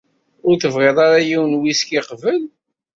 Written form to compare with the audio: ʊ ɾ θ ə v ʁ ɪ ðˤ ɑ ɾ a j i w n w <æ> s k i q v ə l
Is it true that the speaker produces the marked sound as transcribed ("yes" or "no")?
no